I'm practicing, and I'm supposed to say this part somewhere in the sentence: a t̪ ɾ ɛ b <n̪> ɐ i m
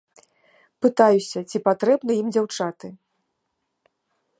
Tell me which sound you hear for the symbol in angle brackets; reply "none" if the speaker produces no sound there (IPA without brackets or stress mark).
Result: n̪